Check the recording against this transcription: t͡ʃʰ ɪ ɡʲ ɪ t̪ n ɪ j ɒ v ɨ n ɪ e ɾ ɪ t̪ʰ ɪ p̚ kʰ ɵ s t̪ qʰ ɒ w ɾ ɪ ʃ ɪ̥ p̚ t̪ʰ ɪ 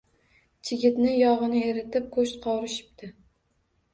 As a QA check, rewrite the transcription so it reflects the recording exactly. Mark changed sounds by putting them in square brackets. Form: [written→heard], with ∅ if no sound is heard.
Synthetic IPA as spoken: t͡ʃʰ ɪ ɡʲ ɪ t̪ n ɪ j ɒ [v→ʁ] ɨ n ɪ e ɾ ɪ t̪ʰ ɪ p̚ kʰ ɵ [s→ʃ] t̪ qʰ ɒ w ɾ ɪ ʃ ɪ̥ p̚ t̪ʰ ɪ

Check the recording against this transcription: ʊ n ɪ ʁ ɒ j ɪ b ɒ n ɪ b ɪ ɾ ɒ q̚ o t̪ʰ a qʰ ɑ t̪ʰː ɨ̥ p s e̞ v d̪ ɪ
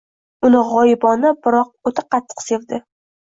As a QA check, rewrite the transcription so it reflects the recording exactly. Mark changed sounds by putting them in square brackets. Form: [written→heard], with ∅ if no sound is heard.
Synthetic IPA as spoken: ʊ n ɪ ʁ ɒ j ɪ b ɒ n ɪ b ɪ ɾ ɒ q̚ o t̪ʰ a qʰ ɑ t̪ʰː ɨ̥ [p→q] s e̞ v d̪ ɪ

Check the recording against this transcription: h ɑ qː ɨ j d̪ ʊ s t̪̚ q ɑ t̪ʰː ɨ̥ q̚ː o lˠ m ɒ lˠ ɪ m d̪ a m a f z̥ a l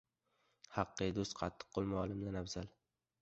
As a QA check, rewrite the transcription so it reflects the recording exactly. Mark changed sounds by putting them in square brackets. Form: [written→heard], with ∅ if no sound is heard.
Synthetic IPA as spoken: h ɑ qː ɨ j d̪ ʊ s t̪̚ [q→qʰ] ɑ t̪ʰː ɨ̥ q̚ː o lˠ m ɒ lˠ ɪ m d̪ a [m→n] a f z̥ a l

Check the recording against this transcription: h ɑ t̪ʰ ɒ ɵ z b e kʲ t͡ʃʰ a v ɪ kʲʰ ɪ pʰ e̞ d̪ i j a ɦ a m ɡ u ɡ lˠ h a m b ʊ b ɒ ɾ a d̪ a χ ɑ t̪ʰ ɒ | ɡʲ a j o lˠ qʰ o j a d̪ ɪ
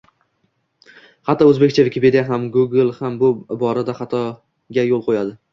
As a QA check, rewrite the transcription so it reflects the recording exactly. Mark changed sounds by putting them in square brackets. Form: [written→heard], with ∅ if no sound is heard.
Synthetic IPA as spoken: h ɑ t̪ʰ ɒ ɵ z b e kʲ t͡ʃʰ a v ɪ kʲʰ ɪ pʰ e̞ d̪ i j a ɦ a m ɡ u ɡ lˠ h a m b ʊ b ɒ ɾ a d̪ a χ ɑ t̪ʰ ɒ | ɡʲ a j o lˠ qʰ o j a d̪ ɪ

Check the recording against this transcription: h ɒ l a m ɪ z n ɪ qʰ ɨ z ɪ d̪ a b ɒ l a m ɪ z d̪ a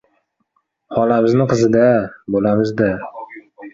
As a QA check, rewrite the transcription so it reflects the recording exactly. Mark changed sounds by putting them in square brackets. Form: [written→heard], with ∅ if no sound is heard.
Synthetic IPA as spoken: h ɒ l a m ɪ z n ɪ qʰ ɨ z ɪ d̪ a b [ɒ→o] l a m ɪ z d̪ a

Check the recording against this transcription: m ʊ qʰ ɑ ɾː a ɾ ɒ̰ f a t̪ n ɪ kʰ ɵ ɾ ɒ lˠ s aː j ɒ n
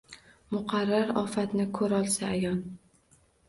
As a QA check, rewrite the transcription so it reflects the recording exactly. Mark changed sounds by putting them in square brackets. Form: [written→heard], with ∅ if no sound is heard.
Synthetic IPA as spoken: m ʊ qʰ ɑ ɾː a ɾ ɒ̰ f a t̪ n ɪ kʰ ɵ ɾ ɒ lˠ s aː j ɒ n

